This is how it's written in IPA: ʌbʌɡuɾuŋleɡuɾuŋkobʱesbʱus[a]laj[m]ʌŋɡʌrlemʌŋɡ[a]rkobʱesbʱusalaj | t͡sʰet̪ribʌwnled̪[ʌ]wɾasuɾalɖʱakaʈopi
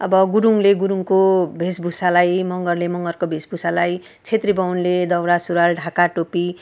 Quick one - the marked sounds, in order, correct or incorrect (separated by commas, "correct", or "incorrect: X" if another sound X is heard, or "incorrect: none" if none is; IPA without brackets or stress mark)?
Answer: correct, correct, incorrect: ʌ, correct